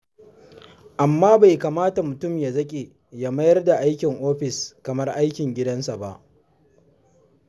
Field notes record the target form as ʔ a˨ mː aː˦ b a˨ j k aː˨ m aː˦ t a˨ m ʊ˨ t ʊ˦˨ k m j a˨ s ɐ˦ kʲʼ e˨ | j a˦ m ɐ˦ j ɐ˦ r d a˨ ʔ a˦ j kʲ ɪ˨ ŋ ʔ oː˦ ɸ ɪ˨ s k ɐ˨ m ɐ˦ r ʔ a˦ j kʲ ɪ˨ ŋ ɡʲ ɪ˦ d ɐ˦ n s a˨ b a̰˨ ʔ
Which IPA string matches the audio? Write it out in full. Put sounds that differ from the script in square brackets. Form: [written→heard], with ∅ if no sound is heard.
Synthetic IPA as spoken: ʔ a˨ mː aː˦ b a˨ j k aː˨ m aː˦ t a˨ m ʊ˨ t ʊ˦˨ [k→∅] m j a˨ [s→z] ɐ˦ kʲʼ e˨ | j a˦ m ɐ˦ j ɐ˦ r d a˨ ʔ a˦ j kʲ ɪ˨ ŋ ʔ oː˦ ɸ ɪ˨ s k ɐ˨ m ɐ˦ r ʔ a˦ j kʲ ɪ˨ ŋ ɡʲ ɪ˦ d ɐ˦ n s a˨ b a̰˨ ʔ